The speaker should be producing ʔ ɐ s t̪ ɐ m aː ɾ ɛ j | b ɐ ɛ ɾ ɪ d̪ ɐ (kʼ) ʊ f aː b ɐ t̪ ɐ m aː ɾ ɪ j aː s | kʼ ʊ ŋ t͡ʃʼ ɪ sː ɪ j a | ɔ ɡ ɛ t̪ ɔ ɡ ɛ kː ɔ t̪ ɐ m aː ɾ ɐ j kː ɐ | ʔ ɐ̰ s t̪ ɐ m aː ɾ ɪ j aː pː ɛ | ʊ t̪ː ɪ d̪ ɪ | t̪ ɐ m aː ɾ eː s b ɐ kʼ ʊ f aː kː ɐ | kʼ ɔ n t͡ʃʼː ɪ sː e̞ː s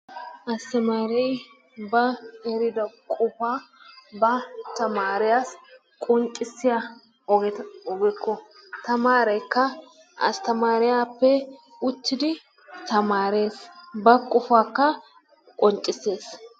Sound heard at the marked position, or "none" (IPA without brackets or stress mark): kʼ